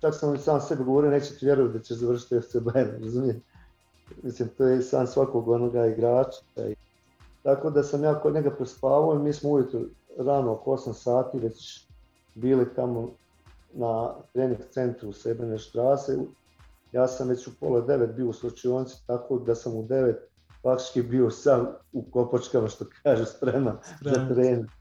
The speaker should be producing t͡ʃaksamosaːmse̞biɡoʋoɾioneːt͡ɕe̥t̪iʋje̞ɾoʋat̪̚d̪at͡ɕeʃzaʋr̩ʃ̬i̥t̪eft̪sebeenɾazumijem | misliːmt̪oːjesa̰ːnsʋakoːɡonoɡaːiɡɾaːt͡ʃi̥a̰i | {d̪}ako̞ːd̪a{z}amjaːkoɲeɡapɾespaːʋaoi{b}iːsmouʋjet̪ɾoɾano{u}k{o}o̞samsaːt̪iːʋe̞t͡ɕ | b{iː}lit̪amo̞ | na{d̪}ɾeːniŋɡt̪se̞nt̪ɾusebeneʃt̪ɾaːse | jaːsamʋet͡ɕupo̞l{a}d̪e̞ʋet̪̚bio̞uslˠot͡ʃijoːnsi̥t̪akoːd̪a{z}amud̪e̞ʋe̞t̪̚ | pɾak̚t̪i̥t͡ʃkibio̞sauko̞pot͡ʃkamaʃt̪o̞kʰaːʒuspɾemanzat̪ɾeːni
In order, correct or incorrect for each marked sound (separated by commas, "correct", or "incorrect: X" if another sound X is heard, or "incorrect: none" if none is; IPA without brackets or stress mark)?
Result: incorrect: t̪, incorrect: s, incorrect: m, incorrect: o, correct, correct, incorrect: t̪, correct, incorrect: s